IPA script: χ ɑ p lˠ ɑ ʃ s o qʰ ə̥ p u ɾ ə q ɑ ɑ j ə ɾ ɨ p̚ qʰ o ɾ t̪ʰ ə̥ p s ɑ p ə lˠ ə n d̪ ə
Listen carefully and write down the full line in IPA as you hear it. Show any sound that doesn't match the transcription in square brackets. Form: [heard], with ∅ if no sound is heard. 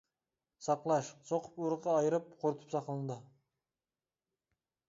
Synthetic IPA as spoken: [s] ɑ [q] lˠ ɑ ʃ s o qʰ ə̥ p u ɾ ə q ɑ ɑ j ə ɾ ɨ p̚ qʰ o ɾ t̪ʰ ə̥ p s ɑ [q] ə lˠ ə n d̪ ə